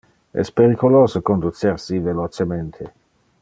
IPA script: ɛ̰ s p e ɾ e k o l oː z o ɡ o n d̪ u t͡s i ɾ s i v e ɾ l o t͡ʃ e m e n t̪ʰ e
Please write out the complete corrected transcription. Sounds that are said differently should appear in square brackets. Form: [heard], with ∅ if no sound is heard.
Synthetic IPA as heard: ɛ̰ s p e ɾ [i] k o l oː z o [k] o n d̪ u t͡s [e] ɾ s i v e [∅] l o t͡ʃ e m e n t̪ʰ e